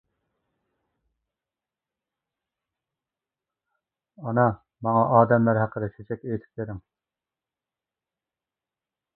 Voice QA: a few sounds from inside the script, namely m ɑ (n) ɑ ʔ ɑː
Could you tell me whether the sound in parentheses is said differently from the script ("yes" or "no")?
yes